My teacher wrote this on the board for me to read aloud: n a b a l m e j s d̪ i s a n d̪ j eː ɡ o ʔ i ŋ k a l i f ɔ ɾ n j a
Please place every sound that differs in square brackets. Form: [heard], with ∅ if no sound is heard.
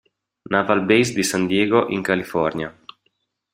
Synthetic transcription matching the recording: n a [v] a l [b] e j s d̪ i s a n d̪ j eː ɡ o ʔ i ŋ k a l i f ɔ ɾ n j a